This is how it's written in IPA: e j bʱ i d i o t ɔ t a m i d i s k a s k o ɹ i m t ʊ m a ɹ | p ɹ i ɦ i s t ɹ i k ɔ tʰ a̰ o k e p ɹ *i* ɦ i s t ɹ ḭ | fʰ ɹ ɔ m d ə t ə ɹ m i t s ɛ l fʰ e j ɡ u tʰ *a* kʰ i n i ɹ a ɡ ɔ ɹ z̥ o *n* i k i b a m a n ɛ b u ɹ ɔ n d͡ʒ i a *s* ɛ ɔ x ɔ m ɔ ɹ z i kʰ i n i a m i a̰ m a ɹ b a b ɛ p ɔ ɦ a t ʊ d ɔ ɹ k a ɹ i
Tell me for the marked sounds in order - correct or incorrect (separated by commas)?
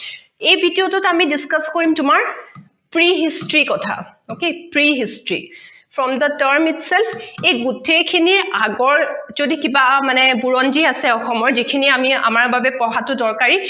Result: correct, incorrect, incorrect, correct